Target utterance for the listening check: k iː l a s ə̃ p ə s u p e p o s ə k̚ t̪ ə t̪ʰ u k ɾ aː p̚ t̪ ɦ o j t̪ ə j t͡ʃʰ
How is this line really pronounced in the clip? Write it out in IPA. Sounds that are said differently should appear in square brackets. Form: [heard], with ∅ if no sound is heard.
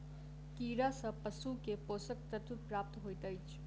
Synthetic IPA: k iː [ɾ] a s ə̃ p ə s u [k] e p o s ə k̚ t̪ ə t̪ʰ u [p] ɾ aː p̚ t̪ ɦ o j t̪ ə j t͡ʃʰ